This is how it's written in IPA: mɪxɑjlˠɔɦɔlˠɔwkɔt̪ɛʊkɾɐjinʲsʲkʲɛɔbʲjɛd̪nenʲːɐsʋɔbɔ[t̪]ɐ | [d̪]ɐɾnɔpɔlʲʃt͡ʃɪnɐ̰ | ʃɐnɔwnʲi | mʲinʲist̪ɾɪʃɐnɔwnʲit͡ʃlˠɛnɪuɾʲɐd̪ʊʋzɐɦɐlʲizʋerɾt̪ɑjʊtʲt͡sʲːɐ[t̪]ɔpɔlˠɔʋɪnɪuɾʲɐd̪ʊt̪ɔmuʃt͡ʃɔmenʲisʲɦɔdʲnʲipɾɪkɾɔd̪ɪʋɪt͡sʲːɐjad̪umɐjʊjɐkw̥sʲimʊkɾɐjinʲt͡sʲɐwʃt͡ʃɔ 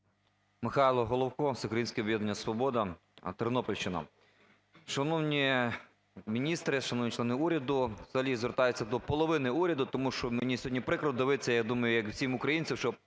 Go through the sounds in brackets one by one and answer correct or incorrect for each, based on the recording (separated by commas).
incorrect, incorrect, incorrect